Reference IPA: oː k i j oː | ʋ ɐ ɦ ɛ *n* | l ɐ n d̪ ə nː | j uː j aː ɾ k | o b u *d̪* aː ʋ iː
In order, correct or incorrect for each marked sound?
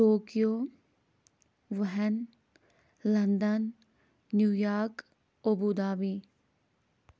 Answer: correct, correct

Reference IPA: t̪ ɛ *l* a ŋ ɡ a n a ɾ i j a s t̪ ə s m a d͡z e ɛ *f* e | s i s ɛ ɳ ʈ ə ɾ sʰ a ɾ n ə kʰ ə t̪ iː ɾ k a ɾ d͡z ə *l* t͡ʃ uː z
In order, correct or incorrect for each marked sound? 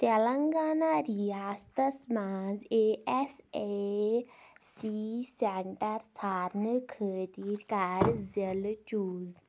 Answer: correct, incorrect: s, correct

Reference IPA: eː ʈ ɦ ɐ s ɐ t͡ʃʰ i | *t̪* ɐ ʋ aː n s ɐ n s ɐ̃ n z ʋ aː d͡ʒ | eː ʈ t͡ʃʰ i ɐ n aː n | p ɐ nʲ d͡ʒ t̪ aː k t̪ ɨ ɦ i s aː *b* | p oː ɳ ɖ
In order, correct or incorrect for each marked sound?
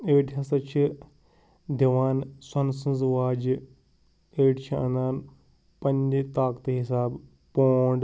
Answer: incorrect: d̪, correct

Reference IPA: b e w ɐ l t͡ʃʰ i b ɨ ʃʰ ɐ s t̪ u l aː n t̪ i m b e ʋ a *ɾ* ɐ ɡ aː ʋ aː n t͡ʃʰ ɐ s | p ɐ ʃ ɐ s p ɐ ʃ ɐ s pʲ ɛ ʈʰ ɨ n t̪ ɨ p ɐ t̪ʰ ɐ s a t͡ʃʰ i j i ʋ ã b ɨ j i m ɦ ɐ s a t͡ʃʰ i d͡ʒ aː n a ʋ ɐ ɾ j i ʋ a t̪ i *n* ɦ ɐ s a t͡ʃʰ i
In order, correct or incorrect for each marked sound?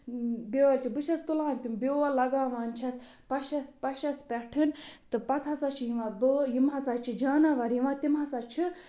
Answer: incorrect: l, incorrect: m

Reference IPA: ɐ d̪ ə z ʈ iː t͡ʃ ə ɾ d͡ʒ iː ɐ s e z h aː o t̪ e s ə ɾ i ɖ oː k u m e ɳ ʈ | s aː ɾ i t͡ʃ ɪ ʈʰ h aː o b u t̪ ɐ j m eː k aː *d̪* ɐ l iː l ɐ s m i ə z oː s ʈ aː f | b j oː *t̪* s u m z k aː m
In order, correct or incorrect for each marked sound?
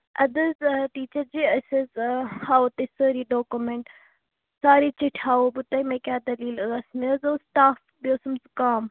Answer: correct, incorrect: none

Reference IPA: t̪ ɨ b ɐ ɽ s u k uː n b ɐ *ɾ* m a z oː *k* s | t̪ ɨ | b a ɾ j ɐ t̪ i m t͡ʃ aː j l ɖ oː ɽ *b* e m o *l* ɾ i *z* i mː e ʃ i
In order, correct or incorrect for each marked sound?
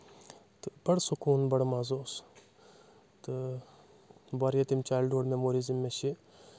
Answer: incorrect: ɽ, incorrect: none, incorrect: m, incorrect: none, correct

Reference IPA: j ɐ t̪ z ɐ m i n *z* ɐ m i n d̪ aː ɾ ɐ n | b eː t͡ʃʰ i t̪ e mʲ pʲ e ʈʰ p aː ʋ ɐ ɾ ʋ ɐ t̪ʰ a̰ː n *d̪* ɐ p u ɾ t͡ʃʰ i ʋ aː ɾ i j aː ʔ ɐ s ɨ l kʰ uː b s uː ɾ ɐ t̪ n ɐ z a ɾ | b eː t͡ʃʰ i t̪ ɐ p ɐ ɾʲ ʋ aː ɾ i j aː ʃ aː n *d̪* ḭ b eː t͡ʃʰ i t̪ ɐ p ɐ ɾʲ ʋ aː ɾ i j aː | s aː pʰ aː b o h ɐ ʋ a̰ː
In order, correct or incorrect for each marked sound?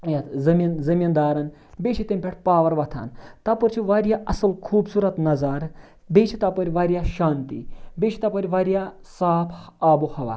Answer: correct, incorrect: t̪, incorrect: t̪

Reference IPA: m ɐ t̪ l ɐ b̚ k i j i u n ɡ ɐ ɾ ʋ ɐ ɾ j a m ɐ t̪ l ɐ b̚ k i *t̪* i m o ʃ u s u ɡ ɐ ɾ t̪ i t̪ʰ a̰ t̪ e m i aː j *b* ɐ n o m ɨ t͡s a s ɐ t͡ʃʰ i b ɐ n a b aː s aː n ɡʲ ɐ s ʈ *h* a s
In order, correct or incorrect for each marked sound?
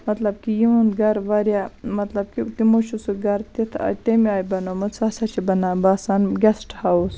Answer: correct, correct, correct

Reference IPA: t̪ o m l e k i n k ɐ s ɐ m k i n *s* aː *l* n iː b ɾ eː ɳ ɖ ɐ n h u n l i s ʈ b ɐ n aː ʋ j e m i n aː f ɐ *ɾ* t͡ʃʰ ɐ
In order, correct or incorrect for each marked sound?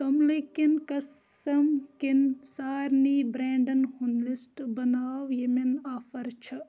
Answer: correct, incorrect: ɾ, correct

